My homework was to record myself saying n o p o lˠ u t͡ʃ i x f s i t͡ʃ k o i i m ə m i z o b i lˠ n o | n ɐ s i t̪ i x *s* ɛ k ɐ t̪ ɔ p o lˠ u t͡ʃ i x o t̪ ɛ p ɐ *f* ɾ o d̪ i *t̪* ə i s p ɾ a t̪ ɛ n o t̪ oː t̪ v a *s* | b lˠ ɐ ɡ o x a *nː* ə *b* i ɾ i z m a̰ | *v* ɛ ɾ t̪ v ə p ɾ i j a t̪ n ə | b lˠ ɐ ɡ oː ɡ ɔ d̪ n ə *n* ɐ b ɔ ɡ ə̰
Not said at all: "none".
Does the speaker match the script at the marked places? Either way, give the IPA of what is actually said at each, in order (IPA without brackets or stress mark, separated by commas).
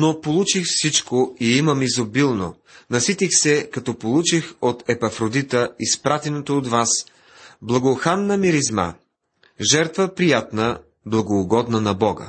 s, f, t̪, s, nː, m, ʒ, n